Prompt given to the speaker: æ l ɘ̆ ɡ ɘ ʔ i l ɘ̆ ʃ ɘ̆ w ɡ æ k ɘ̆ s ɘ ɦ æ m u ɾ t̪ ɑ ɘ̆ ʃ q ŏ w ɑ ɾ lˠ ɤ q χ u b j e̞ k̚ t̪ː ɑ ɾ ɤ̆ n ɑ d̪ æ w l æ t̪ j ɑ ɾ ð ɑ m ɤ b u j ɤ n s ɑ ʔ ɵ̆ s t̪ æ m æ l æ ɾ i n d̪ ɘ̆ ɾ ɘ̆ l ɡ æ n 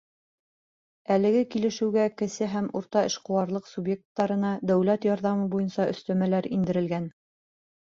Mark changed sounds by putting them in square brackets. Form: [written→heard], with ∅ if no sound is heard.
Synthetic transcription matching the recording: æ l ɘ̆ ɡ ɘ [ʔ→k] i l ɘ̆ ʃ ɘ̆ w ɡ æ k ɘ̆ s ɘ ɦ æ m u ɾ t̪ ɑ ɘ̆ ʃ q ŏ w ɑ ɾ lˠ ɤ q [χ→s] u b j e̞ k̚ t̪ː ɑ ɾ ɤ̆ n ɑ d̪ æ w l æ t̪ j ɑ ɾ ð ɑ m ɤ b u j ɤ n s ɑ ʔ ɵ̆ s t̪ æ m æ l æ ɾ i n d̪ ɘ̆ ɾ ɘ̆ l ɡ æ n

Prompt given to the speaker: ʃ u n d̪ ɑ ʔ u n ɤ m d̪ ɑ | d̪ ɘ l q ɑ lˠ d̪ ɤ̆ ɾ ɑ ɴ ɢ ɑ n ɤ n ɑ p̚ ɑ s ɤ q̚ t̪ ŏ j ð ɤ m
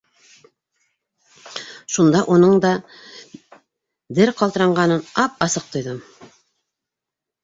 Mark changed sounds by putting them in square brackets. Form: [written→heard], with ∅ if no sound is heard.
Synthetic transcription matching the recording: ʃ u n d̪ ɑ ʔ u n ɤ [m→ɴ] d̪ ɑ | d̪ ɘ [l→ɾ] q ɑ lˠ [d̪→t̪] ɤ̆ ɾ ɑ ɴ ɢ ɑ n ɤ n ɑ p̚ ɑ s ɤ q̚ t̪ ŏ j ð ɤ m

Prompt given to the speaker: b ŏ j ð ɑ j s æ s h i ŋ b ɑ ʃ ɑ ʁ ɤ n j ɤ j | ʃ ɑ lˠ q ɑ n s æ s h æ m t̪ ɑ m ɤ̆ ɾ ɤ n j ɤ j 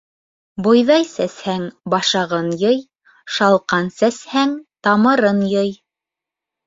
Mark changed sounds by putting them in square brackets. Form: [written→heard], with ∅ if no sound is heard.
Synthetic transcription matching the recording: b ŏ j ð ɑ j s æ s h [i→æ] ŋ b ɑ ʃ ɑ ʁ ɤ n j ɤ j | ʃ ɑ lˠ q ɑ n s æ s h æ [m→ŋ] t̪ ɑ m ɤ̆ ɾ ɤ n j ɤ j

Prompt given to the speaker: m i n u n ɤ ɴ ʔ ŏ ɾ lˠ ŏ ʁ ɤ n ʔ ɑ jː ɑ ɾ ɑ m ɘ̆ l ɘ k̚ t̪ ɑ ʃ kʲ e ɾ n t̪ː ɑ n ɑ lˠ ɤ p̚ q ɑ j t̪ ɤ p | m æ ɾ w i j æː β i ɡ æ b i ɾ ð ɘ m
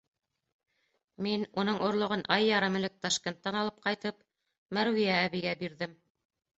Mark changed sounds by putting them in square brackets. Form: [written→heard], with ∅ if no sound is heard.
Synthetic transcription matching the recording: m i n u n ɤ ɴ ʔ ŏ ɾ lˠ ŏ ʁ ɤ n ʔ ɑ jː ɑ ɾ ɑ m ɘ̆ l ɘ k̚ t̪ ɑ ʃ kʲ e [ɾ→∅] n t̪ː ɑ n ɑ lˠ ɤ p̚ q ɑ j t̪ ɤ p | m æ ɾ w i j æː β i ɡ æ b i ɾ ð ɘ m

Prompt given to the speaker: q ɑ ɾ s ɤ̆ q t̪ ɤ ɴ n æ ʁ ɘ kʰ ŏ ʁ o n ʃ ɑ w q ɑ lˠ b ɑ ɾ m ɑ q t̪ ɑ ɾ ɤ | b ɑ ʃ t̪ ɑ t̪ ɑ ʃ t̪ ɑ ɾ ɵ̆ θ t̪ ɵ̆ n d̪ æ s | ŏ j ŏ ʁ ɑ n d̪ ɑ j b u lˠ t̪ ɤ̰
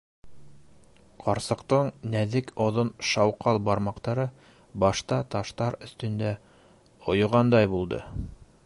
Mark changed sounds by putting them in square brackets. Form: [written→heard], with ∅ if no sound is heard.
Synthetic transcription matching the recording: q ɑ ɾ s ɤ̆ q t̪ ɤ ɴ n æ [ʁ→ð] ɘ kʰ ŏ [ʁ→ð] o n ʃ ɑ w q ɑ lˠ b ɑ ɾ m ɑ q t̪ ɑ ɾ ɤ | b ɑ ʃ t̪ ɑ t̪ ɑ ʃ t̪ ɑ ɾ ɵ̆ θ t̪ ɵ̆ n d̪ æ [s→∅] | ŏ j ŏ ʁ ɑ n d̪ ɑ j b u lˠ [t̪→d̪] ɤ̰

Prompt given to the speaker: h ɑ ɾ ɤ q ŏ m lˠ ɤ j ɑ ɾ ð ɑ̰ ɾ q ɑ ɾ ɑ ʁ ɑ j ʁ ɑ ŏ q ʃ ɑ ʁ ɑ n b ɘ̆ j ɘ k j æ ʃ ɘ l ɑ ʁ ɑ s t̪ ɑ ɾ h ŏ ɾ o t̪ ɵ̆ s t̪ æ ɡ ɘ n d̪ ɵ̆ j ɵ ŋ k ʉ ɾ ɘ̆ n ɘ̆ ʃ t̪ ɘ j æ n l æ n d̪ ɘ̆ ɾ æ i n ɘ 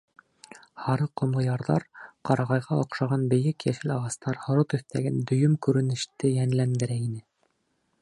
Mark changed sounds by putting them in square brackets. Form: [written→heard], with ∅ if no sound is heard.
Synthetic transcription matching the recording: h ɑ ɾ ɤ q ŏ m lˠ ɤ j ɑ ɾ ð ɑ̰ ɾ q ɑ ɾ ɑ ʁ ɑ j ʁ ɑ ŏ q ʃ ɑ ʁ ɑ n b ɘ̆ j ɘ k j æ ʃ ɘ l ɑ ʁ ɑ s t̪ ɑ ɾ h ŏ ɾ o t̪ ɵ̆ [s→θ] t̪ æ ɡ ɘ n d̪ ɵ̆ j ɵ [ŋ→m] k ʉ ɾ ɘ̆ n ɘ̆ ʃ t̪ ɘ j æ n l æ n d̪ ɘ̆ ɾ æ i n ɘ

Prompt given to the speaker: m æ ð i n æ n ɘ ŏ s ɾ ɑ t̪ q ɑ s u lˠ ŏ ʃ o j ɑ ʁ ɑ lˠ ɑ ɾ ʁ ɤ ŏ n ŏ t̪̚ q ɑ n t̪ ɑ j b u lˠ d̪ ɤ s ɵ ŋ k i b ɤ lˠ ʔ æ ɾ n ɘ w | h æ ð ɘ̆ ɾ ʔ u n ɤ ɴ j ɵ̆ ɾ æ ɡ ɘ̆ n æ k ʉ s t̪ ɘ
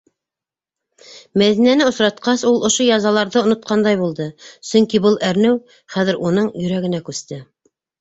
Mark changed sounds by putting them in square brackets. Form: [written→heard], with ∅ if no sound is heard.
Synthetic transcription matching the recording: m æ ð i n æ n ɘ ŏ s ɾ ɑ t̪ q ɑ s u lˠ ŏ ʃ o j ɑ [ʁ→z] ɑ lˠ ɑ ɾ [ʁ→ð] ɤ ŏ n ŏ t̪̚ q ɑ n [t̪→d̪] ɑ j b u lˠ d̪ ɤ s ɵ ŋ k i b ɤ lˠ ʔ æ ɾ n ɘ w | [h→χ] æ ð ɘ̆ ɾ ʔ u n ɤ ɴ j ɵ̆ ɾ æ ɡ ɘ̆ n æ k ʉ s t̪ ɘ

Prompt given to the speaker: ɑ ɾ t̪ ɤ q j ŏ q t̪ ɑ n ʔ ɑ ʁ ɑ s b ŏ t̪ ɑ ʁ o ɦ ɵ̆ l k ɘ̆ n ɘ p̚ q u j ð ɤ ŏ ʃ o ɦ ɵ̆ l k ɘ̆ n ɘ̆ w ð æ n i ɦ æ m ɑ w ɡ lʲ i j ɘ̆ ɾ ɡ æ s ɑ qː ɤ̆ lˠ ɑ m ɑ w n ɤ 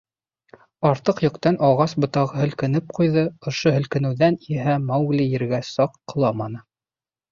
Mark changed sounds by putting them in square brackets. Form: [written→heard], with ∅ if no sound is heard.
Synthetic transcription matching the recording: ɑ ɾ t̪ ɤ q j ŏ q t̪ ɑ n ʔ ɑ ʁ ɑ s b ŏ t̪ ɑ ʁ [o→ɤ] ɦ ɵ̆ l k ɘ̆ n ɘ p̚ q u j ð ɤ ŏ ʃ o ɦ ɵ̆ l k ɘ̆ n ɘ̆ w ð æ n i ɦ æ m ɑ w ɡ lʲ i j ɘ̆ ɾ ɡ æ s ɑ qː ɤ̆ lˠ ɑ m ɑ [w→∅] n ɤ

